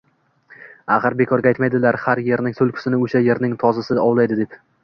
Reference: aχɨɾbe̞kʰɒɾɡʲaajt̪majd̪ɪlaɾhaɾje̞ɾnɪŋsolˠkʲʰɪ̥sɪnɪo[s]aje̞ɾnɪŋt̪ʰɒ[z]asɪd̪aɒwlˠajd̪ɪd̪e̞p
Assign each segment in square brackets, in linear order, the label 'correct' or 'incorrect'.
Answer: incorrect: ʃ, correct

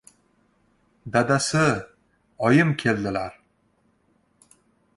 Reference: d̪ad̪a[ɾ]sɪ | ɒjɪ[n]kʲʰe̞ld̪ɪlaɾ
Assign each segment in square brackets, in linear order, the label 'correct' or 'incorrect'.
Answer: incorrect: none, incorrect: m

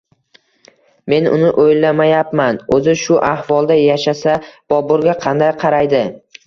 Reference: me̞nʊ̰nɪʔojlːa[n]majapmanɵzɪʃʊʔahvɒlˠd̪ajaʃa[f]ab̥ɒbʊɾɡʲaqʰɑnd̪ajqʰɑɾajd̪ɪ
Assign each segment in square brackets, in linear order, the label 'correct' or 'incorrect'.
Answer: incorrect: none, incorrect: s

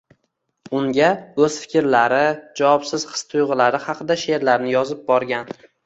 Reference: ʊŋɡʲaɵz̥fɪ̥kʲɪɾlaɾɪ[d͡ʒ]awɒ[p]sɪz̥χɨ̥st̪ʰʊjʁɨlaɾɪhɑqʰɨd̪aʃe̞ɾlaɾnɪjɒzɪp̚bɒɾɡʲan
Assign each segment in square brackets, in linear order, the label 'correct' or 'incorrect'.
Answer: correct, correct

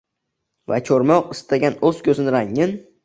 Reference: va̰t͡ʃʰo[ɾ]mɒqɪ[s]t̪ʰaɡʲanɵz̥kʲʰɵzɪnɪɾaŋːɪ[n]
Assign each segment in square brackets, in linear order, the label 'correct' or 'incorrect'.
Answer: correct, correct, correct

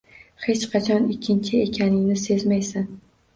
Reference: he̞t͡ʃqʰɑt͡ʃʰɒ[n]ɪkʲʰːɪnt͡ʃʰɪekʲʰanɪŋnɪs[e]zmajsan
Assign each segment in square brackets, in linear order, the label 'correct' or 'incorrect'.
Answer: correct, correct

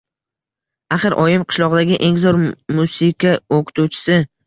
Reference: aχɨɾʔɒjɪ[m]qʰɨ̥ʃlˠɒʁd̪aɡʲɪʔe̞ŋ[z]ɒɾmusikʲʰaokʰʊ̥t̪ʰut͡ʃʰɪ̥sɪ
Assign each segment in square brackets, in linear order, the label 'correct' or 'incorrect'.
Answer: correct, correct

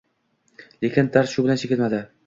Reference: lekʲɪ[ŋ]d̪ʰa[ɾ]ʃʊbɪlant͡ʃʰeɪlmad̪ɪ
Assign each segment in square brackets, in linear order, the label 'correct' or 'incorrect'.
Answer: incorrect: n, correct

